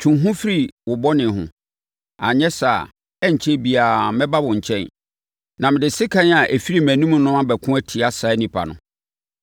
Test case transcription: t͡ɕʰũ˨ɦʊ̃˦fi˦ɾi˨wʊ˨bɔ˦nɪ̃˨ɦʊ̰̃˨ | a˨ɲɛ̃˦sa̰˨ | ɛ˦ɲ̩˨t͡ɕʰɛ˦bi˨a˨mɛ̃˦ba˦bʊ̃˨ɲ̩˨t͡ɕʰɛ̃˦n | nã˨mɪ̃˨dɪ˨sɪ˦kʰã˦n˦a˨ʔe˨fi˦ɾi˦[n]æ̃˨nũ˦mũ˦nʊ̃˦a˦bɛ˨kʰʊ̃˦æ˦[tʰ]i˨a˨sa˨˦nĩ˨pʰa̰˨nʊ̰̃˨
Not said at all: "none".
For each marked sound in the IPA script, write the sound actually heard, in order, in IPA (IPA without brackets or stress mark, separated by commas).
m, tʰ